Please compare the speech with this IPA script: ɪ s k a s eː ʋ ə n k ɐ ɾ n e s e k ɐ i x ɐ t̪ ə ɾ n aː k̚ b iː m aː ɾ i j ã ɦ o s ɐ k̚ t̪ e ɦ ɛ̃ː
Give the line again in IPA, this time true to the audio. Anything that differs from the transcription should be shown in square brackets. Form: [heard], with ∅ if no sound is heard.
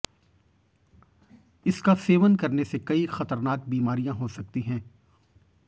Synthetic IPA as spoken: ɪ s k a s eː ʋ ə n k ɐ ɾ n e s e k ɐ i x ɐ t̪ ə ɾ n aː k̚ b iː m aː ɾ i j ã ɦ o s ɐ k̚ t̪ [i] ɦ ɛ̃ː